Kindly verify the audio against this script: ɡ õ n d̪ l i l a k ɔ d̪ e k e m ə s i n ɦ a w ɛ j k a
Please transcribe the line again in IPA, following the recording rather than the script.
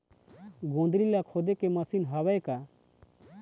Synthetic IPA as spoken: ɡ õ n d̪ ɾ i l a kʰ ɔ d̪ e k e m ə s i n ɦ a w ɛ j k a